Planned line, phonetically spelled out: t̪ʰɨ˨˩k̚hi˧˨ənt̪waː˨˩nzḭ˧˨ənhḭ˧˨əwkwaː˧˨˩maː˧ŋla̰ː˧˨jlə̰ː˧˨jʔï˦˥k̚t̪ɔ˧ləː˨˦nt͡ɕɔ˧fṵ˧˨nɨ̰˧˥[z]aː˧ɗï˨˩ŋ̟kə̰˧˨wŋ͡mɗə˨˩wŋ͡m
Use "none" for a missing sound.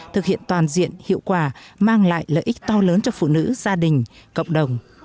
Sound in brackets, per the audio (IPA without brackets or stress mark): z